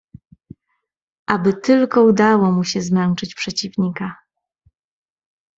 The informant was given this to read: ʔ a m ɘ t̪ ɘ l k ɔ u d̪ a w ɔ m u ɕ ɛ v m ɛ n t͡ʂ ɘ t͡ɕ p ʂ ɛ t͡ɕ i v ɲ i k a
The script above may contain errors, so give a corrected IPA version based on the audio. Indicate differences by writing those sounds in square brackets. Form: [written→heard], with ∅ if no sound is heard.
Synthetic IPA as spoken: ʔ a [m→b] ɘ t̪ ɘ l k ɔ u d̪ a w ɔ m u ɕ ɛ [v→z] m ɛ n t͡ʂ ɘ t͡ɕ p ʂ ɛ t͡ɕ i v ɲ i k a